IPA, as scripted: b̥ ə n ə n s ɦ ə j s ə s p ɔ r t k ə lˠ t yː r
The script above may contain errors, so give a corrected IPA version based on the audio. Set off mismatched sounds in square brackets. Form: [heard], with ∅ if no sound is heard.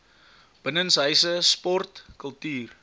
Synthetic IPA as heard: b̥ ə n ə n s ɦ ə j s ə s p ɔ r t k ə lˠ t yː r